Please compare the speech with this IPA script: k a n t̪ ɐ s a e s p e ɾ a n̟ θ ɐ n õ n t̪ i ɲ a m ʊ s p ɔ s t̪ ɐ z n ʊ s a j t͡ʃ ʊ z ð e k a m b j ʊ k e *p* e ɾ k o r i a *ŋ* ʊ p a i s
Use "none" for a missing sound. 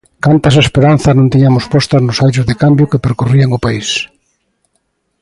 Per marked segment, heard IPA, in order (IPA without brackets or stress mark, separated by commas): p, ŋ